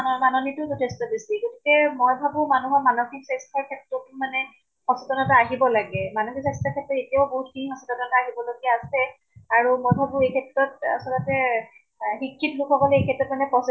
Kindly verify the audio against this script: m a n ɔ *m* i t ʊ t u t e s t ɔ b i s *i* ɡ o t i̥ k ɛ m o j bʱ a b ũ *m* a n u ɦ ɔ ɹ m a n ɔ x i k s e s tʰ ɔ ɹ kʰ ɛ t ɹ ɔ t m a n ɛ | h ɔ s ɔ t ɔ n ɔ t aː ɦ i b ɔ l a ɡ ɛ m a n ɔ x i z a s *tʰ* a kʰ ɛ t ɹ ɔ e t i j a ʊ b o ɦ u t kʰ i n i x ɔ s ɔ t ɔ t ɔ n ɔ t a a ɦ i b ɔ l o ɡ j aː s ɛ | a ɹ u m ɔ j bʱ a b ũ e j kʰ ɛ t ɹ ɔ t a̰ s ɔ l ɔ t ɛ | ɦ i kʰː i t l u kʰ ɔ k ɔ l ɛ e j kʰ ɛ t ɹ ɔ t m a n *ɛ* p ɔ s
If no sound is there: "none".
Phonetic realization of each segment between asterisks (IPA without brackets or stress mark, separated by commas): n, i, m, t, ɛ